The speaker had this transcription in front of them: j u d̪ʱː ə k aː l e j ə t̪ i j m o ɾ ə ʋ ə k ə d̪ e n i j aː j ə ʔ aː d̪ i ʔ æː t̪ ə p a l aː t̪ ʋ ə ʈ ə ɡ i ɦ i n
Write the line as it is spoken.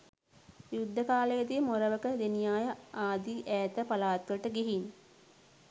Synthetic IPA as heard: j u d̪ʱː ə k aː l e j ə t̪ i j m o ɾ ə ʋ ə k ə d̪ e n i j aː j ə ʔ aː d̪ i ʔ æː t̪ ə p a l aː t̪ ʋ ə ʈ ə ɡ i ɦ i n